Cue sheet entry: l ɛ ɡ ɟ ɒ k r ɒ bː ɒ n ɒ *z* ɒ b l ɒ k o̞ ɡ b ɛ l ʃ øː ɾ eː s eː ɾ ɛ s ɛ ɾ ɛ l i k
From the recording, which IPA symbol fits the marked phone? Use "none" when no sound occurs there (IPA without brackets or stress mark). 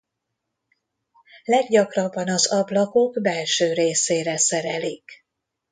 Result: z